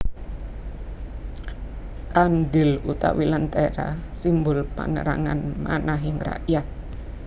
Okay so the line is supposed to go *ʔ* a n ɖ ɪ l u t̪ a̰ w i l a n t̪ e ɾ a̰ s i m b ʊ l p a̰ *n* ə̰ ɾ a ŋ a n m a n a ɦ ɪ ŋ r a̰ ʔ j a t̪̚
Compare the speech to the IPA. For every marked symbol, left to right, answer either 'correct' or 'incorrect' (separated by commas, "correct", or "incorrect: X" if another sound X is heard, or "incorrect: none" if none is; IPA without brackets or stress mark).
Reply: incorrect: k, correct